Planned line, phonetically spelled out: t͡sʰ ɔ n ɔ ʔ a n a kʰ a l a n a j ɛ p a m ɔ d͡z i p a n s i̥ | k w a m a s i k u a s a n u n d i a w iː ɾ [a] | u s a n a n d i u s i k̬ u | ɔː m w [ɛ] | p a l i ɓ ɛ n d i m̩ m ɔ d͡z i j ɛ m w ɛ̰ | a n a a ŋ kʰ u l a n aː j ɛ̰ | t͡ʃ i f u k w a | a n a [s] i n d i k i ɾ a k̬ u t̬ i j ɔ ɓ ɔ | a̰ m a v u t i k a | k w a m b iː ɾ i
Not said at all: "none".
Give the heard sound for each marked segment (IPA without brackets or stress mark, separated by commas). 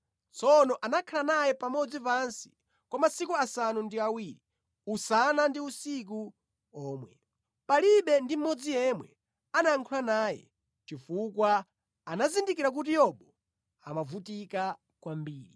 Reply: i, ɛ, z